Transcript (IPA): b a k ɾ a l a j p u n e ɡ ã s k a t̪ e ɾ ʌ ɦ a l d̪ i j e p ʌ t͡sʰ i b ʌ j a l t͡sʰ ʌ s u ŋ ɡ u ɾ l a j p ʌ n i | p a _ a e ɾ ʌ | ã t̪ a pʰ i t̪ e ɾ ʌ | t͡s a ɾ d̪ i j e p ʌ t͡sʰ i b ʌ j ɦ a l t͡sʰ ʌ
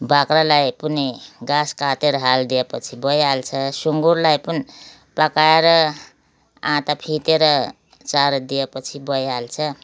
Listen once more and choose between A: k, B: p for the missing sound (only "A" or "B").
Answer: A